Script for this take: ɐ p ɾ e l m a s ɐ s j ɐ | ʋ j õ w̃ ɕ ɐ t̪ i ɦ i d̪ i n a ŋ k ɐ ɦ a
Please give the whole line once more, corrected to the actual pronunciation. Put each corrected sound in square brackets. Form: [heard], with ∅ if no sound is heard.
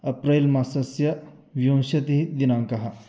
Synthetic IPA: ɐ p ɾ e l m a s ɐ s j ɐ | ʋ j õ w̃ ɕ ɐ t̪ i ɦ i d̪ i n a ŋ k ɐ ɦ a